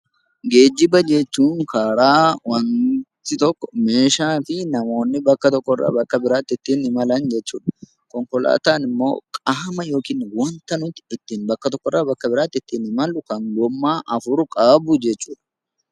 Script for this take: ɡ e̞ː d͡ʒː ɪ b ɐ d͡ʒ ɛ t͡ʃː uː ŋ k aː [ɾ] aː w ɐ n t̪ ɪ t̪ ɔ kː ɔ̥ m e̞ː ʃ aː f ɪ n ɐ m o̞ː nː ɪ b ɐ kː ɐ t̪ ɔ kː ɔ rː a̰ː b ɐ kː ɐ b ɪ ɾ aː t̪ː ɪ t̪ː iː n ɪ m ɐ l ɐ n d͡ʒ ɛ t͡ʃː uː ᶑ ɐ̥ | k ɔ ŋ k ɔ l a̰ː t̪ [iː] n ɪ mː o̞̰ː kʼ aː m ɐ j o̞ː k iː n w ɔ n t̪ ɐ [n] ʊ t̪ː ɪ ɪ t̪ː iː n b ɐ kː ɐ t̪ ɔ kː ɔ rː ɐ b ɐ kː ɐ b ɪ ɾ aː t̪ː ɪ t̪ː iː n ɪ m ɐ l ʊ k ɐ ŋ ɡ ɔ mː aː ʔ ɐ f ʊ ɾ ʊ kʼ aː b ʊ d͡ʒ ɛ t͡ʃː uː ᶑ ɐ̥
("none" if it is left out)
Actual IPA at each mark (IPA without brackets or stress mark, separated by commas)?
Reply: ɾ, aː, n